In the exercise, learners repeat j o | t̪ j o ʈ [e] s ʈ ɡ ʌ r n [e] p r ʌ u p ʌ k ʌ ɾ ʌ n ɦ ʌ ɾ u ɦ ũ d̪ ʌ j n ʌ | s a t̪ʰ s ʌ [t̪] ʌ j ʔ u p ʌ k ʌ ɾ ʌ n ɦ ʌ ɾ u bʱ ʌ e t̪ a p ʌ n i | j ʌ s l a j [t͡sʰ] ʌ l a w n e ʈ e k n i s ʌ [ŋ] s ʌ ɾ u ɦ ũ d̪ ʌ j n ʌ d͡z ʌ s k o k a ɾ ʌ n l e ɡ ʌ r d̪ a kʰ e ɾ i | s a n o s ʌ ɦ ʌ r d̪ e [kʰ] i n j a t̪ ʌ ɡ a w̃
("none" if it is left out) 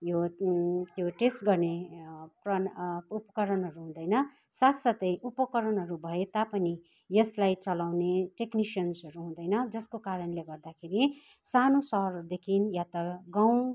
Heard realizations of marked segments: e, e, t̪, t͡s, n, kʰ

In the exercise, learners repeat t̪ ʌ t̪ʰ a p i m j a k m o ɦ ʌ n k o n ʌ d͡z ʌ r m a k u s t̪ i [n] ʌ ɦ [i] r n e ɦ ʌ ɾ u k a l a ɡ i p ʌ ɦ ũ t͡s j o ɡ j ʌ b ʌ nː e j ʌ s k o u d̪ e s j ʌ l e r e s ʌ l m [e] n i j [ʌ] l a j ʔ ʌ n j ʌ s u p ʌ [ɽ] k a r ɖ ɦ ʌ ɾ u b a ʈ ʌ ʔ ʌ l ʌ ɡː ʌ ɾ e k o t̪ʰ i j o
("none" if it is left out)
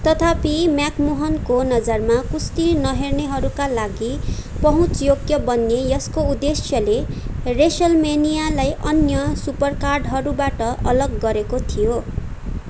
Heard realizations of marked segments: n, e, e, a, r

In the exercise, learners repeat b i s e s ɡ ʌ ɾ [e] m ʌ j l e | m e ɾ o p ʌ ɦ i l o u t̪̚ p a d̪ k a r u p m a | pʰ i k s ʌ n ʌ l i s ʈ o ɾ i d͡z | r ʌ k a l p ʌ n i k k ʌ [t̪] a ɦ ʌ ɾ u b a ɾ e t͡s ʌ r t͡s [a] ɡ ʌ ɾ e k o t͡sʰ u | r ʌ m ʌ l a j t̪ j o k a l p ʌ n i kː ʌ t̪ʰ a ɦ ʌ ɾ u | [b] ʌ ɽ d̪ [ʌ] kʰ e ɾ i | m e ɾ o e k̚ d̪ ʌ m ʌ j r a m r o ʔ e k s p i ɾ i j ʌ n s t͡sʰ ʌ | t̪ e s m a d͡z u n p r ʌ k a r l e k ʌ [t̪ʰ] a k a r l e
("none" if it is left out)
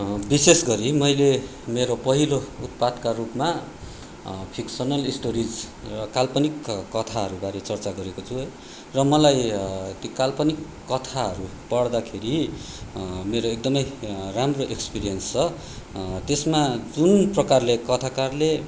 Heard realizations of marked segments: i, t̪ʰ, a, p, a, t̪ʰ

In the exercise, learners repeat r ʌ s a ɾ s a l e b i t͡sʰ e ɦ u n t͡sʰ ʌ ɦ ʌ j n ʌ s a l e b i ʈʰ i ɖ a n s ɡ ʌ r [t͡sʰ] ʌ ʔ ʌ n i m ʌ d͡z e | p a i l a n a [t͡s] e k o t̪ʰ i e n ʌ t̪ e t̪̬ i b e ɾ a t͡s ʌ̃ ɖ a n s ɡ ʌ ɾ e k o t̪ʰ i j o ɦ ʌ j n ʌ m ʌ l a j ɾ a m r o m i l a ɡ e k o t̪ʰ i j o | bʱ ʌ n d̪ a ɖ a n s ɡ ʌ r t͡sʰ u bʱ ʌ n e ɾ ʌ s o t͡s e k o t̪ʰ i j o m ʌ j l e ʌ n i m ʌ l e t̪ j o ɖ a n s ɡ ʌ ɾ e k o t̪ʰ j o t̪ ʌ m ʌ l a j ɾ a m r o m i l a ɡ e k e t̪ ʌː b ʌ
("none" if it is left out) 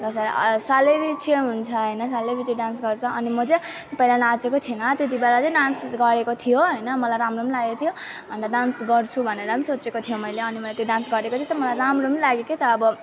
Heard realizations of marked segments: t͡sʰ, t͡s

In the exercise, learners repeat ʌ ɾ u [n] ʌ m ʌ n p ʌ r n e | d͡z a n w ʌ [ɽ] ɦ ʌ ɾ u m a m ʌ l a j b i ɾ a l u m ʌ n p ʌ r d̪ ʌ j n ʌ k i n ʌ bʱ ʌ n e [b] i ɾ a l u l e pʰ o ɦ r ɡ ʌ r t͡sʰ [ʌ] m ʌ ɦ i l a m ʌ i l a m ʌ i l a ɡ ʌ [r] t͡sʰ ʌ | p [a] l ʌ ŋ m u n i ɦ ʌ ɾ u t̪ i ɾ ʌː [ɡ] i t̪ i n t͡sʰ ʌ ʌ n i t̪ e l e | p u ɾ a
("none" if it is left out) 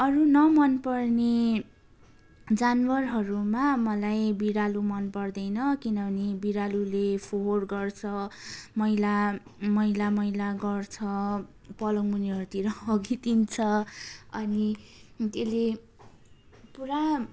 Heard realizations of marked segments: n, r, b, ʌ, r, ʌ, ɡ

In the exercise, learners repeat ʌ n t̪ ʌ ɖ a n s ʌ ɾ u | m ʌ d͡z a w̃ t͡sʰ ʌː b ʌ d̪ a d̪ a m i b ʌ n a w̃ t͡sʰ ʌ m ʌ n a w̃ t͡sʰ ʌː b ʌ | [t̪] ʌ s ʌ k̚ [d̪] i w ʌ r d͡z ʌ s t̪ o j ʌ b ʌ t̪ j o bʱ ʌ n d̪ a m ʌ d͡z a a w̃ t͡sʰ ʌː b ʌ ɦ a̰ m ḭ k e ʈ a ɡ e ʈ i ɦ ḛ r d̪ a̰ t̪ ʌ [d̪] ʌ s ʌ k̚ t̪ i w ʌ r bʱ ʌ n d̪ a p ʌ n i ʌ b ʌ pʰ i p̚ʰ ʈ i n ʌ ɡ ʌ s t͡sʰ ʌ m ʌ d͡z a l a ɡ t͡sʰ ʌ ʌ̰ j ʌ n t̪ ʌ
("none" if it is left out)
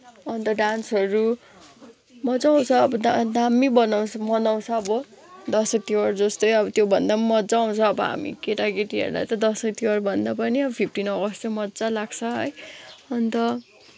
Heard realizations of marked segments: d̪, t̪, d̪

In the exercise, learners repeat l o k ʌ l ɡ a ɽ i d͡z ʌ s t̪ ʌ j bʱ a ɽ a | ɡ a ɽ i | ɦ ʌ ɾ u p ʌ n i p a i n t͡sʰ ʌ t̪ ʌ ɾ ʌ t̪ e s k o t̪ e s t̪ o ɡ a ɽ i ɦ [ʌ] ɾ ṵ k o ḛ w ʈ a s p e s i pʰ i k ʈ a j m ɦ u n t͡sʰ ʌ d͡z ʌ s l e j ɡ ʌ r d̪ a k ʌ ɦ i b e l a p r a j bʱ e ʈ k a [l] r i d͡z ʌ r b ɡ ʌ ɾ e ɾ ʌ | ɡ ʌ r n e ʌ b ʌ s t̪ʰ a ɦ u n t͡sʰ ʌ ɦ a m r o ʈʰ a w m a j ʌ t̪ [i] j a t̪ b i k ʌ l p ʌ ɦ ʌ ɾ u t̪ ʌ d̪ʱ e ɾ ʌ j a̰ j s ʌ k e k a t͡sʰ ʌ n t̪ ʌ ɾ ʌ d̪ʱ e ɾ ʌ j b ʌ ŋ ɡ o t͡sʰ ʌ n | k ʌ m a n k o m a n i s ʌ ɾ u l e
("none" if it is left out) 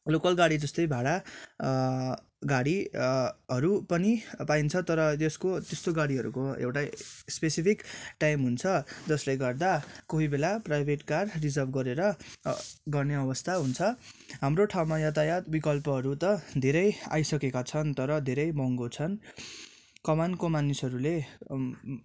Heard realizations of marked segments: ʌ, r, a

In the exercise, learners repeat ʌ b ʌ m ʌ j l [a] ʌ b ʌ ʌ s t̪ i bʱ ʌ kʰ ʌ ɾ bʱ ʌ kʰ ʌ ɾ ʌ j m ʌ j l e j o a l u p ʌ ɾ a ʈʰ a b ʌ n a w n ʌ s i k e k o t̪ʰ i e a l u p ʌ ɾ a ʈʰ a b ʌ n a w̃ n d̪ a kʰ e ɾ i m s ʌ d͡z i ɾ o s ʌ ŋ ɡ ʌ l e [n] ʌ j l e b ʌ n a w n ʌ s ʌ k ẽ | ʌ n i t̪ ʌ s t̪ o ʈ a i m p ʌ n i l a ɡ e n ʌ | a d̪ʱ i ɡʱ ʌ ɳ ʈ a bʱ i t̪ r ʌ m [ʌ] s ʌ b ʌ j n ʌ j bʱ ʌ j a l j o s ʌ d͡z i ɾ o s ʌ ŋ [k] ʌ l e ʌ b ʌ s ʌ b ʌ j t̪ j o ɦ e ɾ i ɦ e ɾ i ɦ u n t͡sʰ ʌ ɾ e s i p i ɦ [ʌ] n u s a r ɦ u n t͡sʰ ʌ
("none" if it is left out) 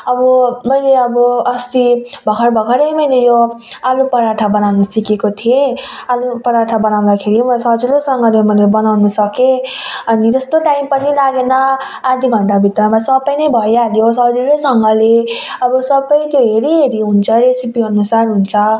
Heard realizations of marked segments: e, m, a, ɡ, ʌ

